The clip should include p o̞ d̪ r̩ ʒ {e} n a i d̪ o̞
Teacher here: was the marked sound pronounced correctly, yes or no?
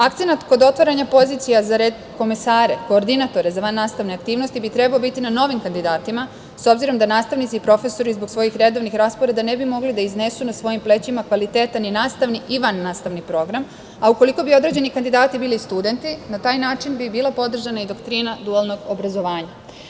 no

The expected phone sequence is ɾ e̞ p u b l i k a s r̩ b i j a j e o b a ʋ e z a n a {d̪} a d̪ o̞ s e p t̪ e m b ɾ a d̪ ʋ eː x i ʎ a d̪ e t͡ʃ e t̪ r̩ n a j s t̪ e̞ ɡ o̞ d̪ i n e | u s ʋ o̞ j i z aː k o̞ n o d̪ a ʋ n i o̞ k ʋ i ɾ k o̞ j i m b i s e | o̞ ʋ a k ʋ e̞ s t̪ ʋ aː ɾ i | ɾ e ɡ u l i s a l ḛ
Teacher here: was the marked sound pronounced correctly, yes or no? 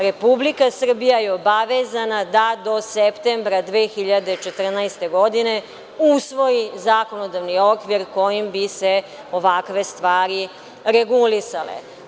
yes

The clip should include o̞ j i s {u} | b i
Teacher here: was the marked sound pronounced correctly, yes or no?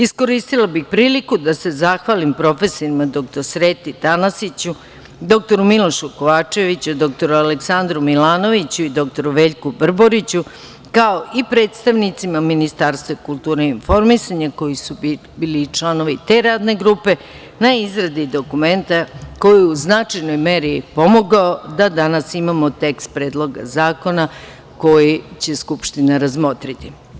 yes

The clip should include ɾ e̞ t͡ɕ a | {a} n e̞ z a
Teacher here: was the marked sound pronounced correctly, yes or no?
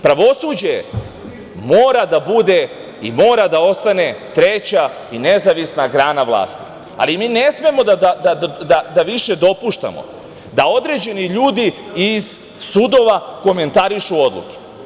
no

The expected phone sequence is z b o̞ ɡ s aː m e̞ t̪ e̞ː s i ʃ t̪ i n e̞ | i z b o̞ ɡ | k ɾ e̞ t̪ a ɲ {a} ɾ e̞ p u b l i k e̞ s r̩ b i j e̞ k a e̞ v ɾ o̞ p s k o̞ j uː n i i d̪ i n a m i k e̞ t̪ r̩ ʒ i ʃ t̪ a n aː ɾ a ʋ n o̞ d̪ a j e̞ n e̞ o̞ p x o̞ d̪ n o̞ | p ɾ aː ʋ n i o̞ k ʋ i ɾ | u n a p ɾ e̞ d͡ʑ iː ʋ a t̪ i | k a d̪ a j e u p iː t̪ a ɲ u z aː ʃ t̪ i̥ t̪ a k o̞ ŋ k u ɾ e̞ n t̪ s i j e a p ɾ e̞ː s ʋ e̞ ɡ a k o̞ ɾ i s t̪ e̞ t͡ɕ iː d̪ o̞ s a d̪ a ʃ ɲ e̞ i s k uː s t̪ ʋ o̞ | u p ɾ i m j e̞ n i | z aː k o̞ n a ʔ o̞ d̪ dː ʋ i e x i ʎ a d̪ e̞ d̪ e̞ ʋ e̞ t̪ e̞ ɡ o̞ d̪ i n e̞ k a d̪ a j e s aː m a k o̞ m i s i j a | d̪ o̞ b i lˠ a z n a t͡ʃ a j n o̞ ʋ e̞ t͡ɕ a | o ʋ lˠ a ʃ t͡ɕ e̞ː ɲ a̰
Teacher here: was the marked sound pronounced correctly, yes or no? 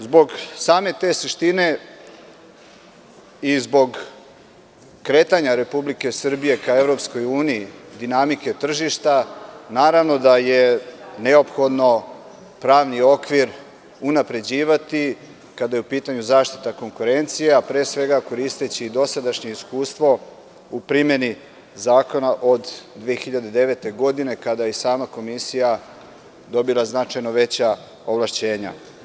yes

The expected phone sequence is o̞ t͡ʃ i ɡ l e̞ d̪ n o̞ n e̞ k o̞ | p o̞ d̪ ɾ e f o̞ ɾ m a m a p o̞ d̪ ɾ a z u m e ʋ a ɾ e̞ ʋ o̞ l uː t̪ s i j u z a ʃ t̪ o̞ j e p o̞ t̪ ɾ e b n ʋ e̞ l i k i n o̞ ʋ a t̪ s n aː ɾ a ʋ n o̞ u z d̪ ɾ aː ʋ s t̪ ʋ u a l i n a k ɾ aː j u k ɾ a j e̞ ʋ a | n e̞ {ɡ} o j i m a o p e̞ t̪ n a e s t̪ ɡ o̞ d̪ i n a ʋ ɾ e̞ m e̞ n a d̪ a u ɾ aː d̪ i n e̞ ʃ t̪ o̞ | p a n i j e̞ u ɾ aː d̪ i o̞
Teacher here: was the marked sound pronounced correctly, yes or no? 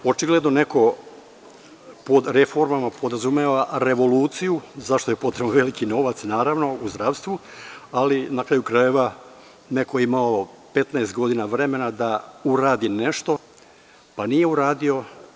no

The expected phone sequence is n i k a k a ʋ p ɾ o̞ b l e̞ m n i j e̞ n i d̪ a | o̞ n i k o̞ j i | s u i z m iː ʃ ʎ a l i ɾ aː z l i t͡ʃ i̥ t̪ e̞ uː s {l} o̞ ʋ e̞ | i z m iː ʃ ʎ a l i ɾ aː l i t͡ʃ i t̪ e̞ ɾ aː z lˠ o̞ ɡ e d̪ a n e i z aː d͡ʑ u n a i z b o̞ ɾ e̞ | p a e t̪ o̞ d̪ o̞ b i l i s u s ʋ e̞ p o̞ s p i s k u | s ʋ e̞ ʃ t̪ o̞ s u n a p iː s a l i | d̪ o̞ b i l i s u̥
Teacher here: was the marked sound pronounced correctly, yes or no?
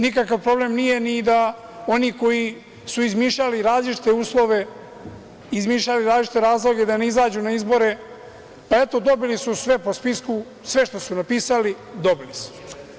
yes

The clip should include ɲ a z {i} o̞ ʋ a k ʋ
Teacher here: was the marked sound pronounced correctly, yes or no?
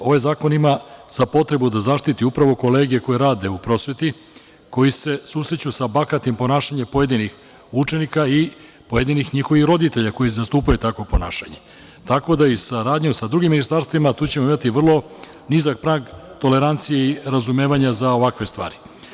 no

